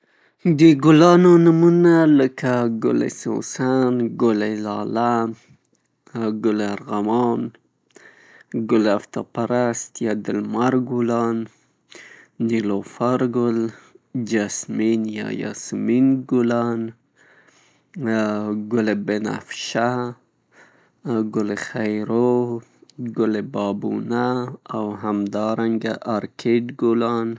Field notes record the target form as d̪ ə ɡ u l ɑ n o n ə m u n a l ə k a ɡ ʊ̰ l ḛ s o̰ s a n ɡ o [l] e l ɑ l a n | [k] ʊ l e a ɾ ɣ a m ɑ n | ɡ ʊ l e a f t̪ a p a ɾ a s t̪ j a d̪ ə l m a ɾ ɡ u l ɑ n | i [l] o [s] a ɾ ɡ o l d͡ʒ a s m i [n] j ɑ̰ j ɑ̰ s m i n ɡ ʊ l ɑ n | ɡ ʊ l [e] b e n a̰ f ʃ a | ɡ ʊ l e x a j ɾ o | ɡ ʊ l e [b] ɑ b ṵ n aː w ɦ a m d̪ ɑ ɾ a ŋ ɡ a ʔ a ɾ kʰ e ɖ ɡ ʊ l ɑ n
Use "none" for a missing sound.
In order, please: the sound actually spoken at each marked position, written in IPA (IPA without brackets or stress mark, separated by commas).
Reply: l, ɡ, l, f, n, e, b